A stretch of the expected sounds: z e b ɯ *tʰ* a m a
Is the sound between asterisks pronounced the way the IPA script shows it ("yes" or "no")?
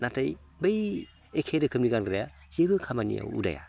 no